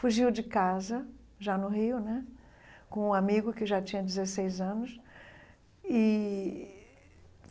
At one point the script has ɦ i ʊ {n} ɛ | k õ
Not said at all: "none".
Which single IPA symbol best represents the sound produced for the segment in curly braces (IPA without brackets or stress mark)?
n